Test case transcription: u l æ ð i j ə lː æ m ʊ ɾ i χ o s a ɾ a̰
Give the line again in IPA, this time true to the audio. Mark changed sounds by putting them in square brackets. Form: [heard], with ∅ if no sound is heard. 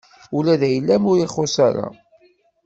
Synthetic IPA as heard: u l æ ð [æ] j ə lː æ m ʊ ɾ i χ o s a ɾ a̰